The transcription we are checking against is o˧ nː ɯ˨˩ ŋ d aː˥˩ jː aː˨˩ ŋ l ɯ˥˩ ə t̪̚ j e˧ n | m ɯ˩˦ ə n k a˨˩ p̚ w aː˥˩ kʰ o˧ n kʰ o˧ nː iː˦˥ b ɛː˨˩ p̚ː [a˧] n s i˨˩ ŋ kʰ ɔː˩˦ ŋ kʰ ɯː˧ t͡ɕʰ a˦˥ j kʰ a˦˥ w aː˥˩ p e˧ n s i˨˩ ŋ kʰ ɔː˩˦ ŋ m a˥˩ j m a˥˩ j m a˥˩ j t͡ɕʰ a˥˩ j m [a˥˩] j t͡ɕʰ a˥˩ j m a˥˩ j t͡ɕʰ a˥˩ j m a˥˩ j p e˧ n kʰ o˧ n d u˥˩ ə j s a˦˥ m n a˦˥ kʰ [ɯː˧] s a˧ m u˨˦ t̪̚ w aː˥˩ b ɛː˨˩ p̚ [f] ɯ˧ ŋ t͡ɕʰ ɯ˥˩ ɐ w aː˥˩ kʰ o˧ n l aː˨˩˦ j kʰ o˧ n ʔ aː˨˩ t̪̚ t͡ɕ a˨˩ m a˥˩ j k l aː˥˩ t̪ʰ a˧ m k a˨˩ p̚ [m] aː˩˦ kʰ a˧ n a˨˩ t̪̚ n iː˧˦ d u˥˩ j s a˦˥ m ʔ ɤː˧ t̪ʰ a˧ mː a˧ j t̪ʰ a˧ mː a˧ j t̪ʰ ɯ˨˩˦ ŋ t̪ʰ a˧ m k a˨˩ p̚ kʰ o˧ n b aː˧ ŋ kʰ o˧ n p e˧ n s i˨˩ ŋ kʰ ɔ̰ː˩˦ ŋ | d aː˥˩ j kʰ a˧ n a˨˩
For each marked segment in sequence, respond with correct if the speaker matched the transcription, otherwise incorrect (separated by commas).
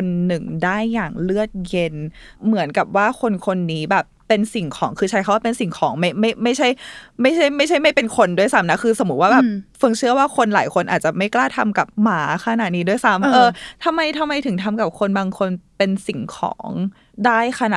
incorrect, correct, correct, correct, correct